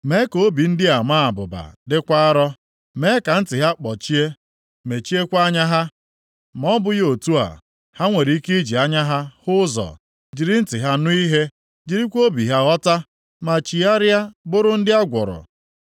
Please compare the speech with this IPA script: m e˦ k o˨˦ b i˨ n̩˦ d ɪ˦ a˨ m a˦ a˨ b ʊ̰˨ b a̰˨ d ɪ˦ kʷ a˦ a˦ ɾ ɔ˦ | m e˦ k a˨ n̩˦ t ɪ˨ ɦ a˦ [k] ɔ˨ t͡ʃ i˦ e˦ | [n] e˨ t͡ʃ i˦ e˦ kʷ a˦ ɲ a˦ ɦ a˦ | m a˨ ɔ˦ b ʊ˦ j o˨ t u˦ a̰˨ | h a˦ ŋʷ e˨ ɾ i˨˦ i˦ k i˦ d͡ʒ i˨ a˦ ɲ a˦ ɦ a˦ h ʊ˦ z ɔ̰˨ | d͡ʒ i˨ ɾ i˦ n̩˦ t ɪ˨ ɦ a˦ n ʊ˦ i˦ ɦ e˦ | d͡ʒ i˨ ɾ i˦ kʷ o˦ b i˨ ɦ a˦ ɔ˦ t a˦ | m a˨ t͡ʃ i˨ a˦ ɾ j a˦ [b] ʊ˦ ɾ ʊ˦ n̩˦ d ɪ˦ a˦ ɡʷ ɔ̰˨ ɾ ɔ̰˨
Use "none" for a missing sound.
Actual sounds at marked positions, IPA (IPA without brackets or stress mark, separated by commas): k͡p, m, b